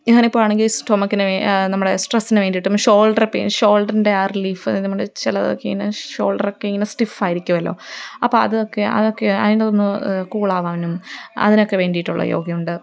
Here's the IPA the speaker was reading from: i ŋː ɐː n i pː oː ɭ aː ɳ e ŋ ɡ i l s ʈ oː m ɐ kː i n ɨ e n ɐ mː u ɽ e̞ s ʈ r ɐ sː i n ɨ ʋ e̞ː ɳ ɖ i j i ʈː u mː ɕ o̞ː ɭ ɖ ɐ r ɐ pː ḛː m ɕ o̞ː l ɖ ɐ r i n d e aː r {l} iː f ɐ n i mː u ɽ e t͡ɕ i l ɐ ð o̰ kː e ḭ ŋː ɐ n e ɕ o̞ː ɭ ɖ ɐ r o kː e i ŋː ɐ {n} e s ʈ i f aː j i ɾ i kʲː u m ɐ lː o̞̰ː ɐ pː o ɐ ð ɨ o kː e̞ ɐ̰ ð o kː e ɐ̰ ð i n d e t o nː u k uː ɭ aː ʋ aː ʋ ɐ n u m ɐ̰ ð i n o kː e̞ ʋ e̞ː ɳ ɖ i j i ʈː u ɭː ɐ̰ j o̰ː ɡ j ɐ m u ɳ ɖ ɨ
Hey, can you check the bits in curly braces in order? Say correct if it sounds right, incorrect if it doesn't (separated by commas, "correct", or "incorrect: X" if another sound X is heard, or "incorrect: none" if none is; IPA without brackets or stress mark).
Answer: correct, correct